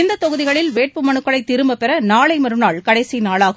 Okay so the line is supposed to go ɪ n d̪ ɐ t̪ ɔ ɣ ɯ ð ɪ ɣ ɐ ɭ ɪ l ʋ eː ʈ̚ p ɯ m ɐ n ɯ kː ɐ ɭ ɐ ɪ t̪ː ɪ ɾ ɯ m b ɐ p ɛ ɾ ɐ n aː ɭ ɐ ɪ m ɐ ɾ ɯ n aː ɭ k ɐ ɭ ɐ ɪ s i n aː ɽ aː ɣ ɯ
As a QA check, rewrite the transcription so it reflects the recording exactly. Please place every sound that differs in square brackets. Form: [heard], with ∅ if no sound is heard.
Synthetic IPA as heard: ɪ n d̪ ɐ t̪ ɔ ɣ ɯ ð ɪ ɣ ɐ ɭ ɪ l ʋ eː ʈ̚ p ɯ m ɐ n ɯ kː ɐ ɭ ɐ ɪ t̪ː ɪ ɾ ɯ m b ɐ p ɛ ɾ ɐ n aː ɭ ɐ ɪ m ɐ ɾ ɯ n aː ɭ k ɐ [ɽ] ɐ ɪ s i n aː [ɭ] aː ɣ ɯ